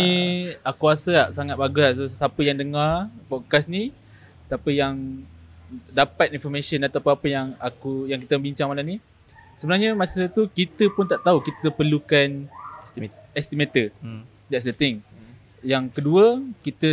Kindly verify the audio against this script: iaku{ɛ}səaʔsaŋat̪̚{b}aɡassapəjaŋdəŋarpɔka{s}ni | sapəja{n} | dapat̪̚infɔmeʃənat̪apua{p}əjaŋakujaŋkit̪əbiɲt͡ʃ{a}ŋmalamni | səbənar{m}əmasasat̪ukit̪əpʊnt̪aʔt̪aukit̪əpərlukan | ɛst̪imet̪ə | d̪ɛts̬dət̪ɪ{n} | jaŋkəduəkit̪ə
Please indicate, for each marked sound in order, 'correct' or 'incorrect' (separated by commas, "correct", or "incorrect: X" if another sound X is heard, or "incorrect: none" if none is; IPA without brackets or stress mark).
incorrect: a, correct, correct, incorrect: ŋ, correct, correct, incorrect: ɲ, incorrect: ŋ